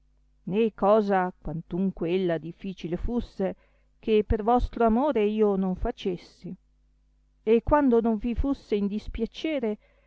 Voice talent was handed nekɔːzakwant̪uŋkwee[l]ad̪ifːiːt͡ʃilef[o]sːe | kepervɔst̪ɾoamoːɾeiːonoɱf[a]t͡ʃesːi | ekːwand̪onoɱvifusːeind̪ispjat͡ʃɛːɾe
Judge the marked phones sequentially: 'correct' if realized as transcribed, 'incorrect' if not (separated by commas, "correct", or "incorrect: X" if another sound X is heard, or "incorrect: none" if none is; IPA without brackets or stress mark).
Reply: incorrect: lː, incorrect: u, correct